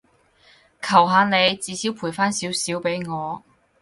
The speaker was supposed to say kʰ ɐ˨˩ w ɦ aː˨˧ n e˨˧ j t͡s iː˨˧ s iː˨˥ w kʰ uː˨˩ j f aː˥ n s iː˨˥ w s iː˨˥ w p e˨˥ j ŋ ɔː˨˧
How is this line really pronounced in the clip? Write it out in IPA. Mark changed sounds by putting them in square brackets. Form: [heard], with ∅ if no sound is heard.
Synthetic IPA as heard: kʰ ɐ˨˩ w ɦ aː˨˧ n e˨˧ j t͡s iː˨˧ s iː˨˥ w [pʰ] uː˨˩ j f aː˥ n s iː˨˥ w s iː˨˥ w p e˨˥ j ŋ ɔː˨˧

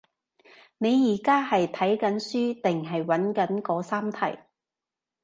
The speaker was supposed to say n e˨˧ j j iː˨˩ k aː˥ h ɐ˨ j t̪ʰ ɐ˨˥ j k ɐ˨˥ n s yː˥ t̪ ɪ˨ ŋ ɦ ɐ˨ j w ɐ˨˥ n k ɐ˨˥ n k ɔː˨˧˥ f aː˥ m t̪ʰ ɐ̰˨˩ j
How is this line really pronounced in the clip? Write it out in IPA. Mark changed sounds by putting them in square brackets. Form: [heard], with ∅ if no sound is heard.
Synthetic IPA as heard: n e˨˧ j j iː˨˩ k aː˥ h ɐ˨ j t̪ʰ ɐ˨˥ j k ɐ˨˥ n s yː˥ t̪ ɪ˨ ŋ ɦ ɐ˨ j w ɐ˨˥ n k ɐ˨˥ n k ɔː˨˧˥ [s] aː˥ m t̪ʰ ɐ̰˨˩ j

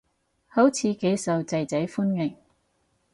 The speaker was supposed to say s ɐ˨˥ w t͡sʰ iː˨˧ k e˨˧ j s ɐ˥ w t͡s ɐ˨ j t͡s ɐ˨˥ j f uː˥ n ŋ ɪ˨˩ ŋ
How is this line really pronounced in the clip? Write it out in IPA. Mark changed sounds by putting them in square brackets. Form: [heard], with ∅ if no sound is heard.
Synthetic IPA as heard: [h] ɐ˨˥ w t͡sʰ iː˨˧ k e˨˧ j s [ɐ˨] w t͡s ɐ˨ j t͡s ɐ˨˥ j f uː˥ n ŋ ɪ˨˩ ŋ

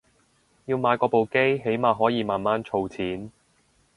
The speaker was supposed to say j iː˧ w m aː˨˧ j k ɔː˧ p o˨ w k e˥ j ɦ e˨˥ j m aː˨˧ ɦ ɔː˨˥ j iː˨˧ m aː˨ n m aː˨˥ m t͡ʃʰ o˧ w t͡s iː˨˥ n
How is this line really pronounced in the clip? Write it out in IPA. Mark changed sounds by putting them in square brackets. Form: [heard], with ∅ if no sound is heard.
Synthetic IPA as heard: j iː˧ w m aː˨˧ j k ɔː˧ p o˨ w k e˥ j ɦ e˨˥ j m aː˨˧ ɦ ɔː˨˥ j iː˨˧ m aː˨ n m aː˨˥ [n] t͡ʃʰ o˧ w [t͡sʰ] iː˨˥ n

